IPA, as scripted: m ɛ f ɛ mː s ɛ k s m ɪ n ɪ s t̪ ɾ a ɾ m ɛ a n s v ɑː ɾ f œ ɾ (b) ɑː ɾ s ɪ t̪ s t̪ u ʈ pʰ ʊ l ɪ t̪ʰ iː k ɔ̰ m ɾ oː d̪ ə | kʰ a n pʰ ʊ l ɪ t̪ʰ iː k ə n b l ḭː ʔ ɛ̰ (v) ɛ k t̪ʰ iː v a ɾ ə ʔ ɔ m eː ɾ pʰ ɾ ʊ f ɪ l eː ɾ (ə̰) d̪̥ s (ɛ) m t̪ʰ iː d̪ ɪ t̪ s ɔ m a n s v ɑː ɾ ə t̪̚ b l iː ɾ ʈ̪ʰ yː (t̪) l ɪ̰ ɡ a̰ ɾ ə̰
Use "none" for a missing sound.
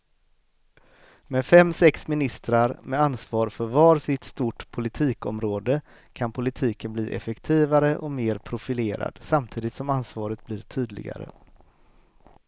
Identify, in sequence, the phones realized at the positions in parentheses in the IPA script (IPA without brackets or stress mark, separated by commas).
v, f, a̰, a, d̪